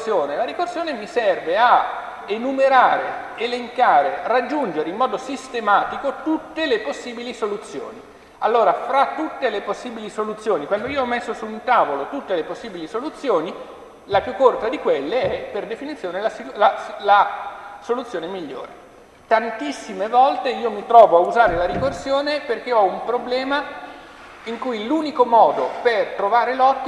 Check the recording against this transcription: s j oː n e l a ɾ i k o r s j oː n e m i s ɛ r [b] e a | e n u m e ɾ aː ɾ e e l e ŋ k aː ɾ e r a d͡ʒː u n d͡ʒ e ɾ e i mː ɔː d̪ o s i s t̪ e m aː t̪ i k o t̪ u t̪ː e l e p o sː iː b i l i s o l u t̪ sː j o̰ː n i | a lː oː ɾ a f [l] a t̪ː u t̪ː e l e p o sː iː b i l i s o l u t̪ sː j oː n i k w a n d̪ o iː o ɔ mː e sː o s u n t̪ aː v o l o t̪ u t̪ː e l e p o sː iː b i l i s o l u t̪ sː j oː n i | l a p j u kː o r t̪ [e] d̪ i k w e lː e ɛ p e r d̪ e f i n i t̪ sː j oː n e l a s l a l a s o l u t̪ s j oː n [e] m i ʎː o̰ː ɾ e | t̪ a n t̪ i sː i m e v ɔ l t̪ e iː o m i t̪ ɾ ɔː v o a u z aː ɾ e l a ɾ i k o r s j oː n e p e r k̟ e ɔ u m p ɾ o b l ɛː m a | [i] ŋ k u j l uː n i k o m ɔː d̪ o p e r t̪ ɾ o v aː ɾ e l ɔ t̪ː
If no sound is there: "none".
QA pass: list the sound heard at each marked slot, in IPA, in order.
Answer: v, ɾ, a, e, i

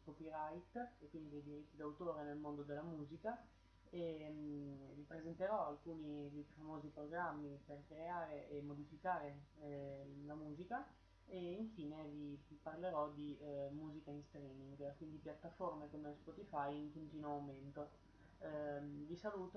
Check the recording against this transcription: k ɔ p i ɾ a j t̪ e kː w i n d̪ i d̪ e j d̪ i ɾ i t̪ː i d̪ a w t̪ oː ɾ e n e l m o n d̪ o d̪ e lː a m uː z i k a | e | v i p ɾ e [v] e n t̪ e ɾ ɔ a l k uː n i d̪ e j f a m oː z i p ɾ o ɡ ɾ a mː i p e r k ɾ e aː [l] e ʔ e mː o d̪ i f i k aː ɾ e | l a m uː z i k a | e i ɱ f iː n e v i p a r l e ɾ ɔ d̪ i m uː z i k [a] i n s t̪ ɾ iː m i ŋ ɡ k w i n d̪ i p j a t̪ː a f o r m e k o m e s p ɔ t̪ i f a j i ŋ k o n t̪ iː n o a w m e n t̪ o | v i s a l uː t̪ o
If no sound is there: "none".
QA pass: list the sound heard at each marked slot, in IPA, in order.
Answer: z, ɾ, a

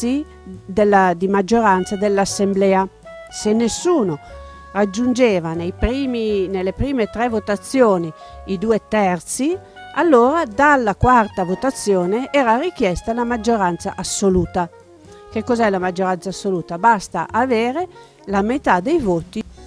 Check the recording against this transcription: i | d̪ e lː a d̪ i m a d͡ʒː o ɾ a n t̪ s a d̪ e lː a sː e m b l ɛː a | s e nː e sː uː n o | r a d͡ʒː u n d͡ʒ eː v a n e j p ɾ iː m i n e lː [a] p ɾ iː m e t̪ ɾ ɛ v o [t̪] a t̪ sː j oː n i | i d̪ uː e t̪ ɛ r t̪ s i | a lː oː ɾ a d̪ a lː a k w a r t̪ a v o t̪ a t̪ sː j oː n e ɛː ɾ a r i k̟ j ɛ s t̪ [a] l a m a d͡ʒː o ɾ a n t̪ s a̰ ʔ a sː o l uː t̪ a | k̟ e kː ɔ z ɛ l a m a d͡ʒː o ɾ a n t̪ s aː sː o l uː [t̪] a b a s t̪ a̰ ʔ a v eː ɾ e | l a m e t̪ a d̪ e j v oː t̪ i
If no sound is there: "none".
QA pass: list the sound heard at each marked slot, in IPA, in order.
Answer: e, t̪, a, t̪

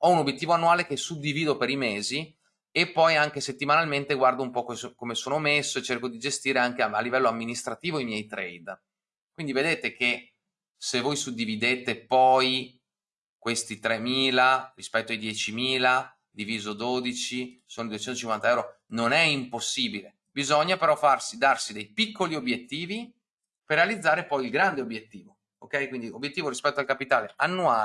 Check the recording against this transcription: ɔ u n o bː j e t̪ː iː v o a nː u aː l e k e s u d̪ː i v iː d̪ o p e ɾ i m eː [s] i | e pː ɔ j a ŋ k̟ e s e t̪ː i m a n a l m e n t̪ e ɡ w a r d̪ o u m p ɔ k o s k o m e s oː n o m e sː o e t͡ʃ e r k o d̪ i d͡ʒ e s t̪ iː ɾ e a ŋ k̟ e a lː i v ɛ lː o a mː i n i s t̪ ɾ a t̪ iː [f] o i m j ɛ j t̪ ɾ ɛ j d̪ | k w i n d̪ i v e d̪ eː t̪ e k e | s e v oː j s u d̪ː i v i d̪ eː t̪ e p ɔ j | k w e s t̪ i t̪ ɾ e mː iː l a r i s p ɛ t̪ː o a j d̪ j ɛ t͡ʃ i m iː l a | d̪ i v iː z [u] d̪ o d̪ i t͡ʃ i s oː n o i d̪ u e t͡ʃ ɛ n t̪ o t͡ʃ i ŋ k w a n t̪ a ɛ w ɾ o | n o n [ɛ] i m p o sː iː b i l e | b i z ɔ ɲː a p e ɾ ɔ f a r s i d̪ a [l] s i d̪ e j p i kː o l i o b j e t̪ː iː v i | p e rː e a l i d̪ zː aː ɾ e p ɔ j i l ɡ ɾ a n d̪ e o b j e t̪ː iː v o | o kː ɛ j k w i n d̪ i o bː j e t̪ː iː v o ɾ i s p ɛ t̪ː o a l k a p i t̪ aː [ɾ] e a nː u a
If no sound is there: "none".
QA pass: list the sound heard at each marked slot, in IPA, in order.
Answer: z, v, o, ɛ, r, l

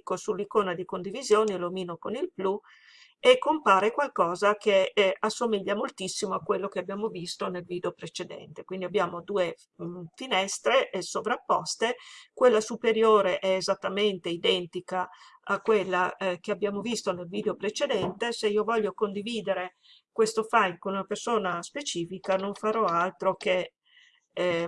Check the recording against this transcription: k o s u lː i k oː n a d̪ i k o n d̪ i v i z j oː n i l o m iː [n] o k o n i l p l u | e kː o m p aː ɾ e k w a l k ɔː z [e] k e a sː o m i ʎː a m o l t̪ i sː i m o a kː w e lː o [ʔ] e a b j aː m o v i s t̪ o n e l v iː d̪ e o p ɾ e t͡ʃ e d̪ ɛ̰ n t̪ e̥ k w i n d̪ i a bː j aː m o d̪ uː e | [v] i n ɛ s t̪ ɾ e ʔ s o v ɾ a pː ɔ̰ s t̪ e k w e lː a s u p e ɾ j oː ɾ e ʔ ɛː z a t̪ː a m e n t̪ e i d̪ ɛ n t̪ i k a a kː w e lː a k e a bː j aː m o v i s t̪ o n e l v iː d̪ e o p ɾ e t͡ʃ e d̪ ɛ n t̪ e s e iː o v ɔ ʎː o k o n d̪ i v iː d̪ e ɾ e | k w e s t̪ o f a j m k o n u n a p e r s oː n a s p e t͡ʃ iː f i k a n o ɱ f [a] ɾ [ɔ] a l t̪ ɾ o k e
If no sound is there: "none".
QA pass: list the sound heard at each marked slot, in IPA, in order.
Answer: n, a, k, f, a, ɔ

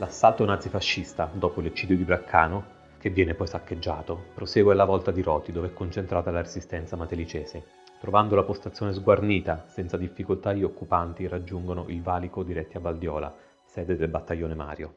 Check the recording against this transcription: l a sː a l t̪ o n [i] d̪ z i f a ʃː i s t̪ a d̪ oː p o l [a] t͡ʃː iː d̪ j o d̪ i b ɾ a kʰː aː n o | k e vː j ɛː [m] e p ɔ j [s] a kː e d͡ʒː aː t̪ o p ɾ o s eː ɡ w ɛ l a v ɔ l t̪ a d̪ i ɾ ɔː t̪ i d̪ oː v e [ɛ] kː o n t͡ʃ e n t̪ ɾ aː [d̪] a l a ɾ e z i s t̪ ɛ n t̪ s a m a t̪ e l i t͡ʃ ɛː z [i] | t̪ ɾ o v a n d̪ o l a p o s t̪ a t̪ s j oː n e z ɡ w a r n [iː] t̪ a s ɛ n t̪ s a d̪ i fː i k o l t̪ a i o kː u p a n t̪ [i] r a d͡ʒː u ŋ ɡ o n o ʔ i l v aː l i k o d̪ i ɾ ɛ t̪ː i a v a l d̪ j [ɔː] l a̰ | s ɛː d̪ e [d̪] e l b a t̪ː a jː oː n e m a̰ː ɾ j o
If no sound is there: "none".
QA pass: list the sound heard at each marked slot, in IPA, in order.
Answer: a, e, n, s, ɛ, t̪, e, iː, i, ɔː, d̪

